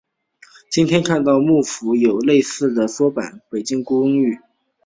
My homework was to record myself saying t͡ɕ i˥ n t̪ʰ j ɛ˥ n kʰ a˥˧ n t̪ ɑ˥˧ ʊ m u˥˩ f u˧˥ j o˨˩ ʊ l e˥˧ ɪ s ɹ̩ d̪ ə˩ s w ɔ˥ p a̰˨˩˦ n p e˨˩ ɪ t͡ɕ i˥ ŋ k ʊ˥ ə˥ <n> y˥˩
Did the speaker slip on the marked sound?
yes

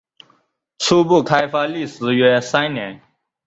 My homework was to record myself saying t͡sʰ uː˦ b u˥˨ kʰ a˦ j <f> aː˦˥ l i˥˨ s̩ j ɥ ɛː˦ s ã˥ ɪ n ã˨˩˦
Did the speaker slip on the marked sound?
no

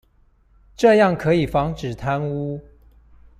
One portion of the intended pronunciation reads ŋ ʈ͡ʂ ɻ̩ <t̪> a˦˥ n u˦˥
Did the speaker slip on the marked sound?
yes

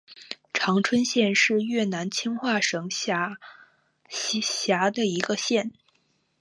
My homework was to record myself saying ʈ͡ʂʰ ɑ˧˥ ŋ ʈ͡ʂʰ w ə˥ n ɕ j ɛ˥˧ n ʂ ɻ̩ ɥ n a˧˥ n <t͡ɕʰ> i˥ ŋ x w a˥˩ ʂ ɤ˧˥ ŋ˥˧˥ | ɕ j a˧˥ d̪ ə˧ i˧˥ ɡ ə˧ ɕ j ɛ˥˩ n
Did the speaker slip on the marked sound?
no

